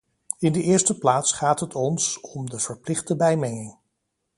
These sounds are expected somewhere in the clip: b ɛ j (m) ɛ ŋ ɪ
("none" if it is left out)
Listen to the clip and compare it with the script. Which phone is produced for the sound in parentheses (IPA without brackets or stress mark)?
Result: m